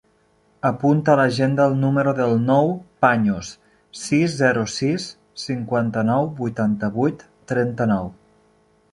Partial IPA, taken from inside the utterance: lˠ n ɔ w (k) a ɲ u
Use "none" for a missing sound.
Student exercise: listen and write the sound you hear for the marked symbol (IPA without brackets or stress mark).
p